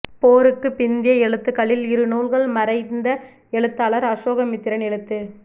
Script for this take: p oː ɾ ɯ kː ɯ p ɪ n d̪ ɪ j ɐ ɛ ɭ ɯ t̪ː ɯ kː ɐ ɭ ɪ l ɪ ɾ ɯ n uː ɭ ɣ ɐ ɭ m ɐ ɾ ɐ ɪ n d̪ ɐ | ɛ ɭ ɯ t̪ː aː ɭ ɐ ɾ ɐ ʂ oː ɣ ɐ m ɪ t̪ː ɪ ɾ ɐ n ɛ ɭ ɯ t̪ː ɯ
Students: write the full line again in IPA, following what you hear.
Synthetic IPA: p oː ɾ ɯ kː ɯ p ɪ n d̪ ɪ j ɐ ɛ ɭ ɯ t̪ː ɯ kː ɐ ɭ ɪ l ɪ ɾ ɯ n uː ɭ ɣ ɐ ɭ m ɐ ɾ ɐ ɪ n d̪ ɐ | ɛ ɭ ɯ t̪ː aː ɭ ɐ ɾ ɐ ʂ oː ɣ ɐ m ɪ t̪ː ɪ ɾ ɐ n ɛ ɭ ɯ t̪ː ɯ